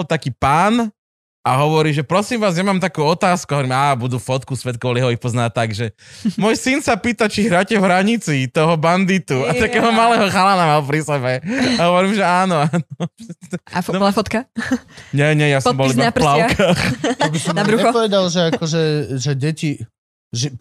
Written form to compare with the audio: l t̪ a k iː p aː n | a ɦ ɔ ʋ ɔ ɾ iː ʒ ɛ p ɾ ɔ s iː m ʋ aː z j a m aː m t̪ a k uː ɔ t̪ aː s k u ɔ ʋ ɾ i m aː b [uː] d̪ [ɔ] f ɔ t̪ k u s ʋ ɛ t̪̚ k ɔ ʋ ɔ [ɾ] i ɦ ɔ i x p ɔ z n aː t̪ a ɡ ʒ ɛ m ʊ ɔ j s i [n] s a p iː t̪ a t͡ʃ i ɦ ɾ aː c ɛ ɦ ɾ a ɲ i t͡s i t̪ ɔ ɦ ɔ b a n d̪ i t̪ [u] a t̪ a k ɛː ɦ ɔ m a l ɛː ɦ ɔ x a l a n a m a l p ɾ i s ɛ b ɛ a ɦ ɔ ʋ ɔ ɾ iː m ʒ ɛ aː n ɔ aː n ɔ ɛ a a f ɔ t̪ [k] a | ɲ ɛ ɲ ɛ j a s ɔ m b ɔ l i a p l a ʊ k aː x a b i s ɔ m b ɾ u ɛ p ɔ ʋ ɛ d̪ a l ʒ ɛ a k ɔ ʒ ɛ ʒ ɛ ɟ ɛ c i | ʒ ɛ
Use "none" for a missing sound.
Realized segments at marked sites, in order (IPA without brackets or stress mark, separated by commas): u, u, l, n, u, k